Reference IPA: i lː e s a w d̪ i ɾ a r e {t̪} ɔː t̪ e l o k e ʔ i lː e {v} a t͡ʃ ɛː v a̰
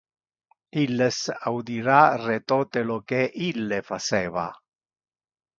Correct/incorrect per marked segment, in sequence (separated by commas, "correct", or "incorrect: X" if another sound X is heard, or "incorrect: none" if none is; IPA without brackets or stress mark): correct, incorrect: f